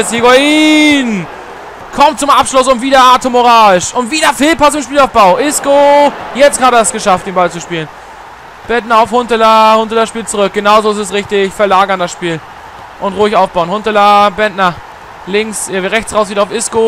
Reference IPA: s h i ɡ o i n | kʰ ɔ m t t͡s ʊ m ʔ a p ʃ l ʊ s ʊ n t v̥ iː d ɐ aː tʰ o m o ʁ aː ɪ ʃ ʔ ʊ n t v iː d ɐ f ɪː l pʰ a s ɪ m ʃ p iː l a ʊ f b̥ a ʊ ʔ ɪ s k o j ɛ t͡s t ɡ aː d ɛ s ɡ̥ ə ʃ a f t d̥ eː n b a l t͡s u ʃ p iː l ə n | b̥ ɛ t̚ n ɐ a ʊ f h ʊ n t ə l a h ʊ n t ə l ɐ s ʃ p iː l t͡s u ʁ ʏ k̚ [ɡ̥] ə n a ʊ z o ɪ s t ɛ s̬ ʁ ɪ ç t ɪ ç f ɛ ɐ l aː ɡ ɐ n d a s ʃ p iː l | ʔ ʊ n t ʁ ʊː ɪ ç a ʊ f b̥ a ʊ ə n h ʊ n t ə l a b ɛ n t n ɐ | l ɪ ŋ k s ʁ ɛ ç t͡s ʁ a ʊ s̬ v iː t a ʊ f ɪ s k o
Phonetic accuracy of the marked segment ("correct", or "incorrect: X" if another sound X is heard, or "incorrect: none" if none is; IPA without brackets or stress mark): correct